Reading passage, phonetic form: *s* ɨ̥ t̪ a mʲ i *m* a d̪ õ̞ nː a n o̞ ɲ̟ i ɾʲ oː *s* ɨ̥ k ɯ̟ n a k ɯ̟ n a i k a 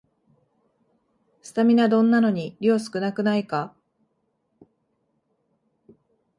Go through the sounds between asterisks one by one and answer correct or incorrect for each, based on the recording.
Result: correct, incorrect: n, correct

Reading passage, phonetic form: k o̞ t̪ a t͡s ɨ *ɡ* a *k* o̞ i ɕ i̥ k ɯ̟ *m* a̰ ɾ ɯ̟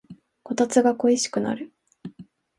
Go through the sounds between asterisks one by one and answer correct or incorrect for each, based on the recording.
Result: correct, correct, incorrect: n

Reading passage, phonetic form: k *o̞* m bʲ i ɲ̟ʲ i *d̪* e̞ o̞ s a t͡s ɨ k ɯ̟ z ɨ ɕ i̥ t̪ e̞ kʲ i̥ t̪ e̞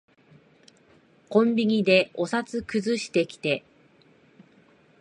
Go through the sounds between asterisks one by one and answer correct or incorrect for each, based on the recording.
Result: incorrect: õ̞, correct

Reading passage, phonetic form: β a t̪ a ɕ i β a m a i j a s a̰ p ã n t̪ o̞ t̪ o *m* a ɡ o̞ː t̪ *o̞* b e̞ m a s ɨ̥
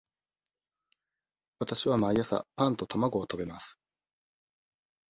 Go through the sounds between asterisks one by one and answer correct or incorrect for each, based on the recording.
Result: correct, correct

